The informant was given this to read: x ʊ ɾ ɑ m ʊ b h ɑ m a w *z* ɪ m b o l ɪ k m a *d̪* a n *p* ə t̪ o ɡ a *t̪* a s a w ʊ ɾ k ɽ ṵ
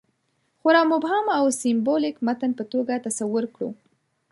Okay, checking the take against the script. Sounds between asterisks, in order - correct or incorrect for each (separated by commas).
incorrect, incorrect, correct, correct